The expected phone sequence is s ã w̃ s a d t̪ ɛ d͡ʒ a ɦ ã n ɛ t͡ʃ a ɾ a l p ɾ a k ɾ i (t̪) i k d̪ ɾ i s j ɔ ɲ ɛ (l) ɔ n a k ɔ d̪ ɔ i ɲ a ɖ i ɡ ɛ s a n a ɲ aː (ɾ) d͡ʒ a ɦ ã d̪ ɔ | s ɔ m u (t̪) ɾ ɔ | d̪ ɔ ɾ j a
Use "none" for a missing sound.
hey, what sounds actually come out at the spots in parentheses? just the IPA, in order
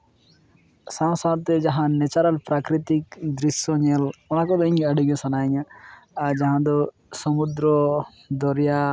t̪, l, ɾ, d̪

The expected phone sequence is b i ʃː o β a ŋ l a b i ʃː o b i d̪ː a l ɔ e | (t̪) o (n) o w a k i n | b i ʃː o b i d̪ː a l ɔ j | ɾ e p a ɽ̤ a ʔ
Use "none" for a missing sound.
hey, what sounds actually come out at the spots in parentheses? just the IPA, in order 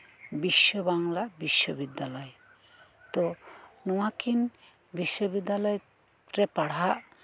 t̪, n

